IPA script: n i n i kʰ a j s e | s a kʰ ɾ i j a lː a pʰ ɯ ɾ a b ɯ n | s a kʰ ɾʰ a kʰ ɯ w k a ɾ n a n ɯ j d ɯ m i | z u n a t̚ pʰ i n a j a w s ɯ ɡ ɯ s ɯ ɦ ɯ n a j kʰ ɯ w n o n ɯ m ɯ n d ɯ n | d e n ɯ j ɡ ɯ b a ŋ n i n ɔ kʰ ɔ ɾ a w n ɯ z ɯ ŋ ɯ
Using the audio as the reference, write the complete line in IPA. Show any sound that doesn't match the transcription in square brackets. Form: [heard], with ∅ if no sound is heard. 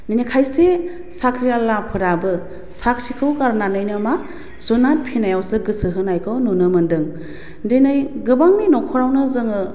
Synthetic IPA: n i n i kʰ a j s e | s a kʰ ɾ i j a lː a pʰ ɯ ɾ a b ɯ [∅] | s a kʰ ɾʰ [i] kʰ ɯ w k a ɾ n a n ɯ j [n] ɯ m [a] | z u n a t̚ pʰ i n a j a w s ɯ ɡ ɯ s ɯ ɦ ɯ n a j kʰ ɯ w n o n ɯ m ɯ n d ɯ [ŋ] | d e n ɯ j ɡ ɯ b a ŋ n i n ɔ kʰ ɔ ɾ a w n ɯ z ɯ ŋ ɯ